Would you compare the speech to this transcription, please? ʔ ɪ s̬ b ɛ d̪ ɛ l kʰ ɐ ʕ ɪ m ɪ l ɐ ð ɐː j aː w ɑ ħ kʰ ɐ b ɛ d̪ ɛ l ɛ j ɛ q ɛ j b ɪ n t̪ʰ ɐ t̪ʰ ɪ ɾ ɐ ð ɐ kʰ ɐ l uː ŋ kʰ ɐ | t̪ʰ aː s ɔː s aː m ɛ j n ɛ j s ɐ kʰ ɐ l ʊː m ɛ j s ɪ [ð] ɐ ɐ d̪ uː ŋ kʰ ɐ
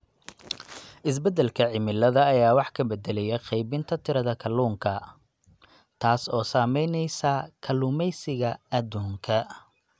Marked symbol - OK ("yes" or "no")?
no